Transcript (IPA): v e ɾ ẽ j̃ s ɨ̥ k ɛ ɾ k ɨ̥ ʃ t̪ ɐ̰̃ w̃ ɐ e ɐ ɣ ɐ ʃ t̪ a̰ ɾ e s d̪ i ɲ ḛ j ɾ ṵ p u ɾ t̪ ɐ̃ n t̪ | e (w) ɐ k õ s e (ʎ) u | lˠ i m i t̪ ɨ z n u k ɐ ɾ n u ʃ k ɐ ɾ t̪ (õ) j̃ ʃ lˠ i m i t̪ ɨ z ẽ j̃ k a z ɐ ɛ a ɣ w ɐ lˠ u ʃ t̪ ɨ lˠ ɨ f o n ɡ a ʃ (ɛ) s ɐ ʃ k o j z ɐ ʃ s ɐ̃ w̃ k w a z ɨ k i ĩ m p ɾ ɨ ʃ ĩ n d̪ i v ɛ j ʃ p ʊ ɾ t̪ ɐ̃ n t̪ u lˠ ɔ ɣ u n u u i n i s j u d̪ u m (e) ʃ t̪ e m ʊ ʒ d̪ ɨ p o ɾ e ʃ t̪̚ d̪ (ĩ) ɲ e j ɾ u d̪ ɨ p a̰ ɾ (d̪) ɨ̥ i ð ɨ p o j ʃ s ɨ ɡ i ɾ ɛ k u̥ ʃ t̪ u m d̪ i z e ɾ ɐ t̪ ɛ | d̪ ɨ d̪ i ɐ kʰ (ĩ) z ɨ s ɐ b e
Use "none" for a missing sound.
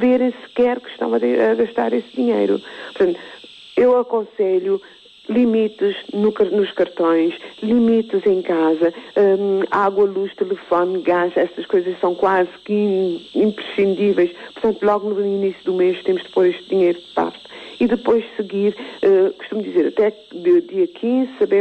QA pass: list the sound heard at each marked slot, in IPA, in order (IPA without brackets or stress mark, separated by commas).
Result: w, ʎ, õ, ɛ, e, i, t̪, ĩ